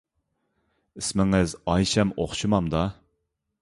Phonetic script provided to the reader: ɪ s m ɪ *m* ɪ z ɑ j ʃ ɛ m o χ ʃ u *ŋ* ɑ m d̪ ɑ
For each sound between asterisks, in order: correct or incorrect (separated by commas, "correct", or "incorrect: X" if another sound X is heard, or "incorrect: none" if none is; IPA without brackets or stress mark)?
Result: incorrect: ŋ, incorrect: m